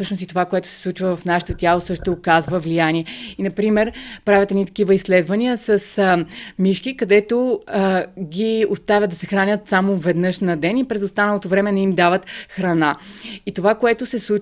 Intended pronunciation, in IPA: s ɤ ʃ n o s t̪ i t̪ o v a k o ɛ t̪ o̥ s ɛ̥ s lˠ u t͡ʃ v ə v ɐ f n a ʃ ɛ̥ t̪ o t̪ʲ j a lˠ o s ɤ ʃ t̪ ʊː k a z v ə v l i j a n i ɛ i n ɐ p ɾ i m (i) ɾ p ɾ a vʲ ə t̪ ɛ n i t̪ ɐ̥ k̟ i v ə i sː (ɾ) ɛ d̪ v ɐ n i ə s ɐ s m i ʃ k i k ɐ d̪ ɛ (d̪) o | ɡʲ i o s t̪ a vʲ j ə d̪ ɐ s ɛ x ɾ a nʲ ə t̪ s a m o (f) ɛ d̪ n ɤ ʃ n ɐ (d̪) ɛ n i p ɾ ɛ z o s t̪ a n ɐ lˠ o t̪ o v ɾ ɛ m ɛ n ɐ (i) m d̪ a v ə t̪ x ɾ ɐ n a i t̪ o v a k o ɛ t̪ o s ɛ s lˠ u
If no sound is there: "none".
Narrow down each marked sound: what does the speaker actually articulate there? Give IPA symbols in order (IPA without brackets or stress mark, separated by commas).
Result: ɛ, l, t̪, v, d̪, i